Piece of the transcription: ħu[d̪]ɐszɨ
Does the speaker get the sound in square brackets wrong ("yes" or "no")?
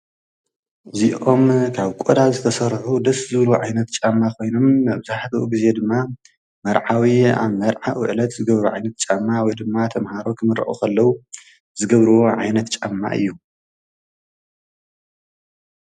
no